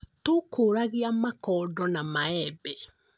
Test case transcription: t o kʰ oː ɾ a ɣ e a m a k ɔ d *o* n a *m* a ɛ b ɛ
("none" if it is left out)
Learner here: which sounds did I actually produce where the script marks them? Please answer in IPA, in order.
ɔ, m

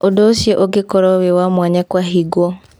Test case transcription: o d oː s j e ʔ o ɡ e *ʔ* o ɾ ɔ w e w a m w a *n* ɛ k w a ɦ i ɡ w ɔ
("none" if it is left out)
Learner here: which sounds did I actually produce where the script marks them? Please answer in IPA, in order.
k, ɲ

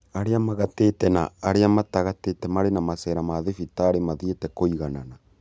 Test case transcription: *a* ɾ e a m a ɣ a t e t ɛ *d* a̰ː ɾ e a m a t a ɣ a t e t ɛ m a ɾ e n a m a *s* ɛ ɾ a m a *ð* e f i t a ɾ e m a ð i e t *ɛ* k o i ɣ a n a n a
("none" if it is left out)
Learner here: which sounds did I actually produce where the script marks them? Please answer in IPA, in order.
a, n, s, ð, ɛ

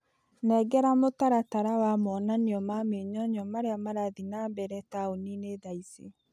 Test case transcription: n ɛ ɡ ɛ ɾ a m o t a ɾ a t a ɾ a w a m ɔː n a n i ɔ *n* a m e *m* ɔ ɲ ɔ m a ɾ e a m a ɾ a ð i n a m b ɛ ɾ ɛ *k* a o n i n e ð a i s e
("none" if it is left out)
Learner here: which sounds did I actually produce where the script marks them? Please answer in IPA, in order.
m, ɲ, t

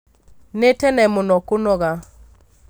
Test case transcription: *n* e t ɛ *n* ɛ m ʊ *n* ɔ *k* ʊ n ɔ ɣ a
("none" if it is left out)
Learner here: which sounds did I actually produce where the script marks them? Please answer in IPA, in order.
n, n, n, k

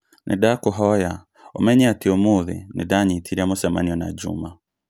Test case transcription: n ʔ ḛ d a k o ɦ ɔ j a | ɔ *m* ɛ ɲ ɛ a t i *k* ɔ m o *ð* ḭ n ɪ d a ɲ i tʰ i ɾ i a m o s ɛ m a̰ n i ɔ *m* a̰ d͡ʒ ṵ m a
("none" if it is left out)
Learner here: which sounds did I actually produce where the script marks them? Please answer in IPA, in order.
m, none, ð, n

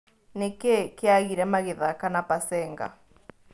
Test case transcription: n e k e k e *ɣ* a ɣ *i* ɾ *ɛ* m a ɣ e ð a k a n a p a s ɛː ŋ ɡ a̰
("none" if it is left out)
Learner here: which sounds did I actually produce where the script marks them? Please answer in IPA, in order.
none, i, ɛ

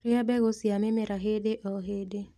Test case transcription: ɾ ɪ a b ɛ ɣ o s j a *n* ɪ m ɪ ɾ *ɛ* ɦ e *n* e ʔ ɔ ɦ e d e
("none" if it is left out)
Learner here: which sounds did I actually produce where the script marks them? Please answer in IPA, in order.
m, a, d

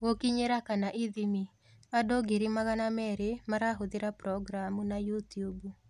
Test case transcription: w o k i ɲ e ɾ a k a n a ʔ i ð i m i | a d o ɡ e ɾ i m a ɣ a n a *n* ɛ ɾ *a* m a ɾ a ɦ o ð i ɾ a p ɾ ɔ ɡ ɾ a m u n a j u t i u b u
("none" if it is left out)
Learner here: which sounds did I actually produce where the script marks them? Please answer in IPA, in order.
m, e

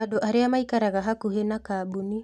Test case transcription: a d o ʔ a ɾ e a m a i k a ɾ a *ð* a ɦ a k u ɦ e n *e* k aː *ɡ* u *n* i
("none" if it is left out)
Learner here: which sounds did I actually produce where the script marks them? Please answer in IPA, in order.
ɣ, a, b, n

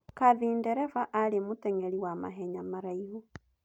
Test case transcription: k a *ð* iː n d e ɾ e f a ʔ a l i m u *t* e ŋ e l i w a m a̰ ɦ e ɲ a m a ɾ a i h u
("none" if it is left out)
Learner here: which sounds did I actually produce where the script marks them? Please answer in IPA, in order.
ð, t

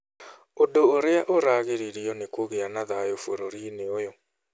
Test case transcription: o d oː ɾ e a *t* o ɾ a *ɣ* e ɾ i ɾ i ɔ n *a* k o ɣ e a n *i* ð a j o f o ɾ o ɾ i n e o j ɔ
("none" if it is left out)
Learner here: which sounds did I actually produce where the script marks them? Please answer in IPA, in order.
ʔ, ɣ, e, a

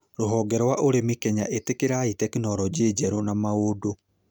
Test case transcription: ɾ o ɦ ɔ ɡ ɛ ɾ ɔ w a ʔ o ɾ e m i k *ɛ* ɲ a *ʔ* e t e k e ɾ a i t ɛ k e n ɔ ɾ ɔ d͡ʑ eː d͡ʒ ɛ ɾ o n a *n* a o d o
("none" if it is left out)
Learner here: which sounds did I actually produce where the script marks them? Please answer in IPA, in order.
ɛ, ʔ, m

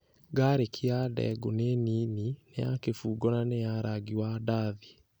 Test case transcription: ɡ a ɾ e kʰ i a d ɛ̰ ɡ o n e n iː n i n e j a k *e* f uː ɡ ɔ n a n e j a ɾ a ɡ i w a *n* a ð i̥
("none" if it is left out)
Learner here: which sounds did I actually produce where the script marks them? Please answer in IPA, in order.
e, d

